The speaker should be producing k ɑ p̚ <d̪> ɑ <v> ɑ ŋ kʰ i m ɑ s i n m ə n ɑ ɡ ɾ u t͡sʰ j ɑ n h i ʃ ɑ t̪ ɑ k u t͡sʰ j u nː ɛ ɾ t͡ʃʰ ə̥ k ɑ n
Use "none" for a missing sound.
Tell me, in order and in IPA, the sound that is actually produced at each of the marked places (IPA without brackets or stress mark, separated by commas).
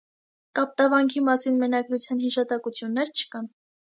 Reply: t̪, v